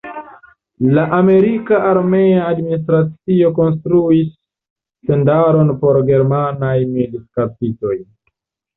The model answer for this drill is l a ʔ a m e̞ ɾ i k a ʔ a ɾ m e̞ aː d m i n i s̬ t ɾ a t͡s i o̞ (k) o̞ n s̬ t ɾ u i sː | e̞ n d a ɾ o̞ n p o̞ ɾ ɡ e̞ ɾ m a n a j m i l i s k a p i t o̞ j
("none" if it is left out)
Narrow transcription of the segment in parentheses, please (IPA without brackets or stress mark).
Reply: k